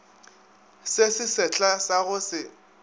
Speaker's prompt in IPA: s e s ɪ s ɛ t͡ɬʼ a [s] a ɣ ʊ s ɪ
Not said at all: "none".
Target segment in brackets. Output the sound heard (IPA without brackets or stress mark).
s